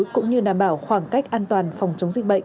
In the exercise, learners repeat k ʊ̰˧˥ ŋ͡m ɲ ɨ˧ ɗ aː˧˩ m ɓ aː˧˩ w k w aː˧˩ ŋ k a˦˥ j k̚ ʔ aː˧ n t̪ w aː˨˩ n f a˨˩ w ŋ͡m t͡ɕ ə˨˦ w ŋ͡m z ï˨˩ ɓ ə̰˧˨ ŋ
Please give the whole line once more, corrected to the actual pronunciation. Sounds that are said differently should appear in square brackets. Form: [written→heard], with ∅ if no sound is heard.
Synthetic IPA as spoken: k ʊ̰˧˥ ŋ͡m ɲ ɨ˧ ɗ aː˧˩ m ɓ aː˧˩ w [k→x] w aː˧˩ ŋ k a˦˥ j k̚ ʔ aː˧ n t̪ w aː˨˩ n f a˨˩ w ŋ͡m t͡ɕ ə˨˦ w ŋ͡m z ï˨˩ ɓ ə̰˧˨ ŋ